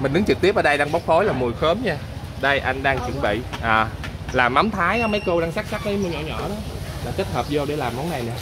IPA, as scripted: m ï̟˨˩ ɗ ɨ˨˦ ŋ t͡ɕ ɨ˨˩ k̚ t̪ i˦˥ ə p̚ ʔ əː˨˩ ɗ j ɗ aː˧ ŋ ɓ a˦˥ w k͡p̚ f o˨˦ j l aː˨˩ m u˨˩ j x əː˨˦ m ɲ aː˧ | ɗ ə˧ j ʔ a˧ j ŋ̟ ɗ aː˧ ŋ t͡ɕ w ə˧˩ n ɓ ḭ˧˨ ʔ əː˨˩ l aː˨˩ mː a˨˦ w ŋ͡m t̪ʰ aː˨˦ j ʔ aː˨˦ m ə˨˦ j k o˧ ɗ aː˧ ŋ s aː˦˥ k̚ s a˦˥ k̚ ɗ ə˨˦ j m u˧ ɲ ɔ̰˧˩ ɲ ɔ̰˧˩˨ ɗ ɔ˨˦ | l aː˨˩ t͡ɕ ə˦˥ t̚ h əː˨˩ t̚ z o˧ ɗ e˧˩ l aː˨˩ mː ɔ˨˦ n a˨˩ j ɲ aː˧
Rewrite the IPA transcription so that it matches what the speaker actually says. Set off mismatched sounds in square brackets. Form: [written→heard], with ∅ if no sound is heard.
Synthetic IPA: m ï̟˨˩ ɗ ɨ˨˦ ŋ t͡ɕ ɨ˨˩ k̚ t̪ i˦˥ ə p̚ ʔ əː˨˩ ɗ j ɗ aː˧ ŋ ɓ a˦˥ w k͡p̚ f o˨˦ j l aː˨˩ m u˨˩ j x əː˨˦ m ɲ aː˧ | ɗ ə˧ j ʔ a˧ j ŋ̟ ɗ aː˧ ŋ t͡ɕ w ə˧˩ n ɓ ḭ˧˨ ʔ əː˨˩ l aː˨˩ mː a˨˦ w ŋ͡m t̪ʰ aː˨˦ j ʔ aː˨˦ m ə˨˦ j k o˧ ɗ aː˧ ŋ s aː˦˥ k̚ s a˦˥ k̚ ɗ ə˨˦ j m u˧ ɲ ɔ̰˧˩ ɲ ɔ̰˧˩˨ ɗ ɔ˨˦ | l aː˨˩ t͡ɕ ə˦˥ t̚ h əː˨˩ [t̚→p̚] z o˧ ɗ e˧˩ l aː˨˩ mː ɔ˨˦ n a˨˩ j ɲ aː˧